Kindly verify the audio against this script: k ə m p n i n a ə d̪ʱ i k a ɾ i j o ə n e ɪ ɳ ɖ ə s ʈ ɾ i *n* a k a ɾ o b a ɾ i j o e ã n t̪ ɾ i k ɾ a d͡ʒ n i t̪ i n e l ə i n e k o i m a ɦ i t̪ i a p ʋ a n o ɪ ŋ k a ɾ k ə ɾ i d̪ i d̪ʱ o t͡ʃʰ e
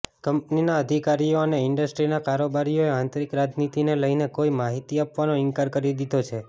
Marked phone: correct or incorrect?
correct